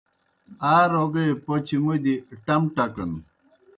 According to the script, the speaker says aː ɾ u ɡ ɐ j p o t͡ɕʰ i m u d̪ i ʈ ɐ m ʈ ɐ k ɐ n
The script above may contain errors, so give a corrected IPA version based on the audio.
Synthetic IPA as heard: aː ɾ o ɡ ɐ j p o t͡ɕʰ i m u d̪ i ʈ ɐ m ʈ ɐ k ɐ n